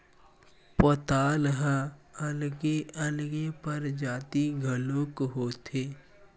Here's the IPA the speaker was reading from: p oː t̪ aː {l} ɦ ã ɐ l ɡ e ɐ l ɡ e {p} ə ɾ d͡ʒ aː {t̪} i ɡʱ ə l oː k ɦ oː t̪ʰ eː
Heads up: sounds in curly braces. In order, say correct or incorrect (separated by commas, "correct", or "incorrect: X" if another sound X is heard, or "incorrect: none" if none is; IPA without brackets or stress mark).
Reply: correct, correct, correct